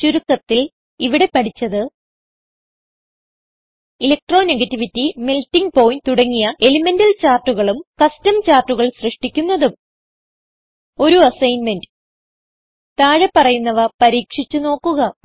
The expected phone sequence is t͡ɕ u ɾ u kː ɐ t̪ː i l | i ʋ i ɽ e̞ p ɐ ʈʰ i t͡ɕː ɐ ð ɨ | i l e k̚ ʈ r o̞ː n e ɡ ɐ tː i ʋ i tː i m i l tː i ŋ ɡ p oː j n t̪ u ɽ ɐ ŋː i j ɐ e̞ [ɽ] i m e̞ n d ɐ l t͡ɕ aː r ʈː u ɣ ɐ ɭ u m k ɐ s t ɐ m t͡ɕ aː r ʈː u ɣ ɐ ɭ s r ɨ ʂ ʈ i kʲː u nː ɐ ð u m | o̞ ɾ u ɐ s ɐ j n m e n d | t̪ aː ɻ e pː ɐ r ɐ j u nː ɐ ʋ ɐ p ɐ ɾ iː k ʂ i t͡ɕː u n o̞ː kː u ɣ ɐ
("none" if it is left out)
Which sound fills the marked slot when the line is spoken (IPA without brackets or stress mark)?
l